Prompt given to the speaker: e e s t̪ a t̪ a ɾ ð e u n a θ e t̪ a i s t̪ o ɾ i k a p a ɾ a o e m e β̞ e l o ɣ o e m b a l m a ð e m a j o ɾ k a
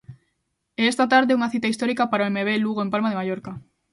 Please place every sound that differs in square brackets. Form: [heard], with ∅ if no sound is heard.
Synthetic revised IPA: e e s t̪ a t̪ a ɾ ð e u [ŋ] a θ [i] t̪ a i s t̪ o ɾ i k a p a ɾ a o e m e β̞ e l [u] ɣ o e m [p] a l m a ð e m a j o ɾ k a